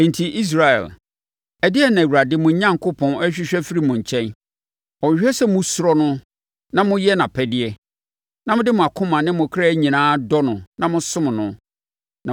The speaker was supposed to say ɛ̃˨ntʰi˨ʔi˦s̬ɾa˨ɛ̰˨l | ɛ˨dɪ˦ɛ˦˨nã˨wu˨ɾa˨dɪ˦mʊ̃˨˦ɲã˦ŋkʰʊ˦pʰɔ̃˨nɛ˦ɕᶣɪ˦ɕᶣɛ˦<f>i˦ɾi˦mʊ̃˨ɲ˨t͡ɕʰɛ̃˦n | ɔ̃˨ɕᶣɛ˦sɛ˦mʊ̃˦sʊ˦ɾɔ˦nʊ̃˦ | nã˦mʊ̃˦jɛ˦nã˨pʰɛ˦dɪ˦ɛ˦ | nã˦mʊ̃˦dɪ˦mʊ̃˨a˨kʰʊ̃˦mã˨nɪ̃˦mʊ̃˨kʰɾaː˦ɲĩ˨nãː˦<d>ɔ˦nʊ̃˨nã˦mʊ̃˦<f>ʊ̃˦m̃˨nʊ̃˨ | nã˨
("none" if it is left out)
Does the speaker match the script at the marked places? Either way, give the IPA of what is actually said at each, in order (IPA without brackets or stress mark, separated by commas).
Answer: f, d, s